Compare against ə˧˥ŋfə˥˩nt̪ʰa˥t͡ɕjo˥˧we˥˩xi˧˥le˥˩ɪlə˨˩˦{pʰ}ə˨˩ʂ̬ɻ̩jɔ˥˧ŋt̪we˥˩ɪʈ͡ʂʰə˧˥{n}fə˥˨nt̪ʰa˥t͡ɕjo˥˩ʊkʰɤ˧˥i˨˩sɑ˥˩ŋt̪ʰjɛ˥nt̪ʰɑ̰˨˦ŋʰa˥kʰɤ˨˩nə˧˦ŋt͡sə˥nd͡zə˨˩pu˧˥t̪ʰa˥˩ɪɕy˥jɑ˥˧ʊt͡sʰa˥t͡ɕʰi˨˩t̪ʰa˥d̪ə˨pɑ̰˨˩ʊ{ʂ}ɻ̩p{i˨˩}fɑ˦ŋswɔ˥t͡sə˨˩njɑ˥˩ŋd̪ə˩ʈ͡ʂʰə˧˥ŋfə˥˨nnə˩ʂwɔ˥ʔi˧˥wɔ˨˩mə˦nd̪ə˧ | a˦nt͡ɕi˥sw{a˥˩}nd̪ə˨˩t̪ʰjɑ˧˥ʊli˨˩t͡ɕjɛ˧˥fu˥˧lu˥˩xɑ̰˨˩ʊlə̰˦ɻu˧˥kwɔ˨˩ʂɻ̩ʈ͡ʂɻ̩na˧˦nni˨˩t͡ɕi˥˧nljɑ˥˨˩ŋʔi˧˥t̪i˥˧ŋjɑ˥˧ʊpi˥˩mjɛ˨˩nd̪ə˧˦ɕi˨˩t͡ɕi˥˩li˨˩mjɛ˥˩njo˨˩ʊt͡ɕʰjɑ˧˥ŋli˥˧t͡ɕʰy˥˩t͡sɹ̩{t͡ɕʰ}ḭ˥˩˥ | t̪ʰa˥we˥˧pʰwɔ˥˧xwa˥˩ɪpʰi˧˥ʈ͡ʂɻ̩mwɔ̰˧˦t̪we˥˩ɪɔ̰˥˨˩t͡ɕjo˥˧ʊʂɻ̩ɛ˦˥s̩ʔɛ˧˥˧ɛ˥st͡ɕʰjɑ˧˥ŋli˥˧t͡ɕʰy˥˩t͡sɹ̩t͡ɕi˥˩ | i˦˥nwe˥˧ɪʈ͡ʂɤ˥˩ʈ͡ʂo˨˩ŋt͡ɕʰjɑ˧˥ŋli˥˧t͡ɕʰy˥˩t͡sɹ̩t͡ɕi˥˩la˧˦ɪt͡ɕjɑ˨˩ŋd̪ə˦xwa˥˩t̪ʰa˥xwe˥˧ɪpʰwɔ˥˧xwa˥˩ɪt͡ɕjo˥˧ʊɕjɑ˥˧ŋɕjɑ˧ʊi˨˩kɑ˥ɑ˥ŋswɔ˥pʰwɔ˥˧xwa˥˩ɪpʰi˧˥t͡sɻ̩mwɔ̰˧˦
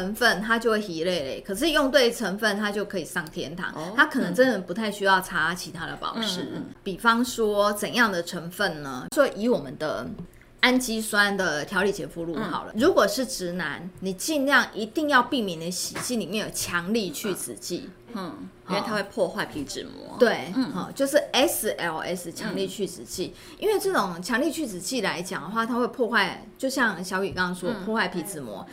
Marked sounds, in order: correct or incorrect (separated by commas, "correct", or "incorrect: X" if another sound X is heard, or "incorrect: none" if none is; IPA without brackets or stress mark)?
incorrect: kʰ, incorrect: ŋ, correct, correct, incorrect: a˦˥, incorrect: t͡ɕ